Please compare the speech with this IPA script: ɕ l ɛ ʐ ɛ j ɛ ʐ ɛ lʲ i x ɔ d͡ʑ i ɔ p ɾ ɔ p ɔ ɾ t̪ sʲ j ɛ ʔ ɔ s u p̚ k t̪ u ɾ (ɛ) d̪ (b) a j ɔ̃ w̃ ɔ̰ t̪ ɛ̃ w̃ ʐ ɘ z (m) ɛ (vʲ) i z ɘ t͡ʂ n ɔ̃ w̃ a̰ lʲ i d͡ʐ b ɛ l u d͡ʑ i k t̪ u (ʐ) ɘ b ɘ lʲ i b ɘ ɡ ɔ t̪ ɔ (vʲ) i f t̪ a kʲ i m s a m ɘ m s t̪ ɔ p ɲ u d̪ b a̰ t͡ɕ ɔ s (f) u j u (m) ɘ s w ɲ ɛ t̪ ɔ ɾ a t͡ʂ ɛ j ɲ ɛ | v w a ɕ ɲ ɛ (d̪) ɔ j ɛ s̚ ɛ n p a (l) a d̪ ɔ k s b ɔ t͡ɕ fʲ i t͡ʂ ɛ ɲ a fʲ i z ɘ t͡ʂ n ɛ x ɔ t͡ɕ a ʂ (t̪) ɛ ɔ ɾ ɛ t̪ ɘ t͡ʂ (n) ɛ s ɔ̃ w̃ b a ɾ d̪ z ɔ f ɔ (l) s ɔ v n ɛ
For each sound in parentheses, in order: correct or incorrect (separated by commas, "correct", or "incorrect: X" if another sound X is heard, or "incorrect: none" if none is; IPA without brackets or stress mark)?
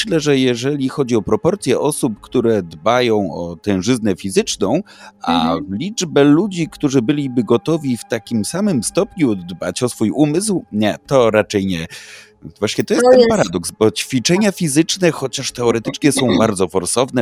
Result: correct, correct, incorrect: n, incorrect: fʲ, correct, correct, correct, correct, incorrect: t̪, incorrect: ɾ, correct, incorrect: ɲ, incorrect: ɾ